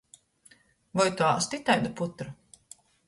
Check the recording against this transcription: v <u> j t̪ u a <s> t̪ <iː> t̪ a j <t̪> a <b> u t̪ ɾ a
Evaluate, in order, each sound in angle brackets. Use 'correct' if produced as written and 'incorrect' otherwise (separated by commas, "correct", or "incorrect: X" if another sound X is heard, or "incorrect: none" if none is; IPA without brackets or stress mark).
incorrect: ɔ, correct, incorrect: i, incorrect: d̪, incorrect: p